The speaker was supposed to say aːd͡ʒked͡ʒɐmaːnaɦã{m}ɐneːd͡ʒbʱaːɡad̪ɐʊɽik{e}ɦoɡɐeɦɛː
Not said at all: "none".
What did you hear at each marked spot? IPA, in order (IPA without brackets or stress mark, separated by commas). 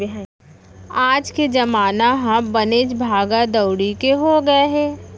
b, e